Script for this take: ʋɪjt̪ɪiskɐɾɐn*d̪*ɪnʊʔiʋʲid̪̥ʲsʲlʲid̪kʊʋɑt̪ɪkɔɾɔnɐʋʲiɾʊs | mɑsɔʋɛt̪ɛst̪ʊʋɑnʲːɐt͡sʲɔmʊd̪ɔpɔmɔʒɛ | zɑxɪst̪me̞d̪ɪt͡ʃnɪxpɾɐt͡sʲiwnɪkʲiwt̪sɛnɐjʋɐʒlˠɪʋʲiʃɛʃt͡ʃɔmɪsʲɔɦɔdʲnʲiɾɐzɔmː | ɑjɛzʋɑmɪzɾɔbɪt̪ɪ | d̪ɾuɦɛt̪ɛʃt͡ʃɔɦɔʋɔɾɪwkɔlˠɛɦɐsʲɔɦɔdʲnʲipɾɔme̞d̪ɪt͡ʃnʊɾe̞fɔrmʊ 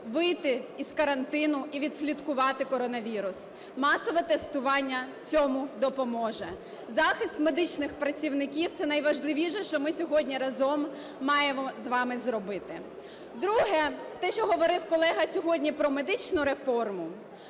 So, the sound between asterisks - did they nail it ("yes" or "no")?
no